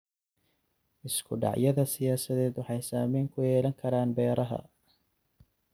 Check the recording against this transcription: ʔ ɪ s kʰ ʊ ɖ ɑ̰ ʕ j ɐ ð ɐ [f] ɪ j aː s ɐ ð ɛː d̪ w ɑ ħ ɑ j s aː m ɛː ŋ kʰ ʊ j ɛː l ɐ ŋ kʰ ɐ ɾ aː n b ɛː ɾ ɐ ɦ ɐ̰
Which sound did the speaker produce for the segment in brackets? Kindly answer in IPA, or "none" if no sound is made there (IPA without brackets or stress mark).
s